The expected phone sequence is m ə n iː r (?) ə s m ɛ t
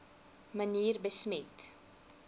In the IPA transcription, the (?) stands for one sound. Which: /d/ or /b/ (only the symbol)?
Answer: b